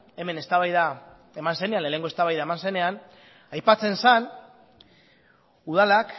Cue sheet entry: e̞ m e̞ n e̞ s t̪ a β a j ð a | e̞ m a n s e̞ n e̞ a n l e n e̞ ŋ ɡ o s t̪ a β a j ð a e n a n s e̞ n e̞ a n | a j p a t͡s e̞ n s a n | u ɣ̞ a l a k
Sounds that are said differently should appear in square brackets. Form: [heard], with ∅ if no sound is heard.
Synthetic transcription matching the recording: e̞ m e̞ n e̞ s t̪ a β a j ð a | e̞ m a n s e̞ n e̞ a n l e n e̞ ŋ ɡ o s t̪ a β a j ð a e [m] a n s e̞ n e̞ a n | a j p a t͡s e̞ n s a n | u [ð̞] a l a k